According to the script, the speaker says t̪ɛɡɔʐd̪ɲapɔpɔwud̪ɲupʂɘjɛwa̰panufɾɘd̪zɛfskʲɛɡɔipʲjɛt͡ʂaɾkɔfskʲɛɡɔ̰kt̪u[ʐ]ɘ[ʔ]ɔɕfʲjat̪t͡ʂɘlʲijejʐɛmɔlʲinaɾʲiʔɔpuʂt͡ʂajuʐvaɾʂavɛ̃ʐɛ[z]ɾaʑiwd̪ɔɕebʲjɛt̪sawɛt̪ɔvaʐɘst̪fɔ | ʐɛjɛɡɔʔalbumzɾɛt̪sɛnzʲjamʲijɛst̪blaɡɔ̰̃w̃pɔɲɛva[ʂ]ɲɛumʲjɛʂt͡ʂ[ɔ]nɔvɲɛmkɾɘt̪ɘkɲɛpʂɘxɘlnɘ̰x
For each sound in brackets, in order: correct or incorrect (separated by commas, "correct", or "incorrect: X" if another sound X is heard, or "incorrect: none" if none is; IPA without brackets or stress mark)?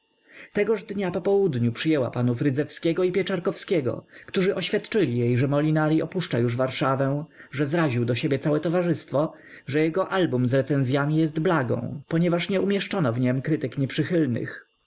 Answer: correct, correct, correct, correct, correct